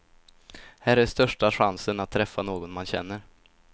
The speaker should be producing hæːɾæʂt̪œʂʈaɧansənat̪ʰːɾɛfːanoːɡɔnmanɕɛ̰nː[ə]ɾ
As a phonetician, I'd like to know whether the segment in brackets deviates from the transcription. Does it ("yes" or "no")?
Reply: no